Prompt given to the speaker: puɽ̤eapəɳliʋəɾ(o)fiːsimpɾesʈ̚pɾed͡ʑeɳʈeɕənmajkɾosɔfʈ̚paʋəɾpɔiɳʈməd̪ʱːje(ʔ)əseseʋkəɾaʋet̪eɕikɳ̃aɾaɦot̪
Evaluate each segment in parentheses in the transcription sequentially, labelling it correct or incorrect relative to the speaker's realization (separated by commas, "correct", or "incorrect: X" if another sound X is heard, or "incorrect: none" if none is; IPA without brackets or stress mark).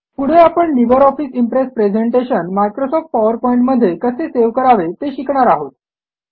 incorrect: ɔ, incorrect: k